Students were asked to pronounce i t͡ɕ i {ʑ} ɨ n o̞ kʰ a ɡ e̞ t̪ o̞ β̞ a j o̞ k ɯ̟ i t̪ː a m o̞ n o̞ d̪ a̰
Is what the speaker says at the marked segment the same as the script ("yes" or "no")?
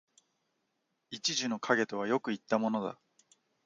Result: yes